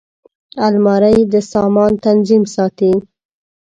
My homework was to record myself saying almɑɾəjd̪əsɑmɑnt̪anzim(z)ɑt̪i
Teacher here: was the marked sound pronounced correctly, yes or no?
no